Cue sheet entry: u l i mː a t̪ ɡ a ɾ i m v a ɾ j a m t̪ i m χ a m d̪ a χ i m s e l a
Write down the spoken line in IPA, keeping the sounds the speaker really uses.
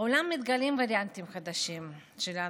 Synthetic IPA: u l a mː i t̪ ɡ a l i m v a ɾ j a n t̪ i m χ a d̪ a ʃ i m ʃ e l a